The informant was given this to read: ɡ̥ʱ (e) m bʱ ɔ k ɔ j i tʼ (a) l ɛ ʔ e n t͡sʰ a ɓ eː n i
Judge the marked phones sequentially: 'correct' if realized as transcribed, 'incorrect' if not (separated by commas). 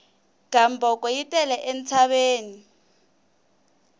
incorrect, incorrect